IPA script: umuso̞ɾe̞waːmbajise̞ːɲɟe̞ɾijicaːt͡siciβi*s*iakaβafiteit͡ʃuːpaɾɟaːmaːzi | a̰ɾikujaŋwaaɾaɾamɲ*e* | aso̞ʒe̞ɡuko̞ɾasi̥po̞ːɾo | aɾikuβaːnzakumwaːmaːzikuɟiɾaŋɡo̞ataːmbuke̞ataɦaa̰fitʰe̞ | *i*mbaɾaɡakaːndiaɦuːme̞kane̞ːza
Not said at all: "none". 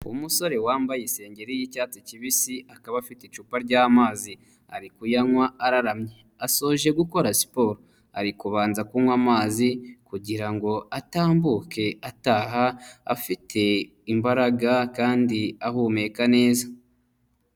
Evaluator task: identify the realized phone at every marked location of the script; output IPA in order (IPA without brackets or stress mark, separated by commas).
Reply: s, e, i